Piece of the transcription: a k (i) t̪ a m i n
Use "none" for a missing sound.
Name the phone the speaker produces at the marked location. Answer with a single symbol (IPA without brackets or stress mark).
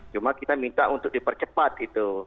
i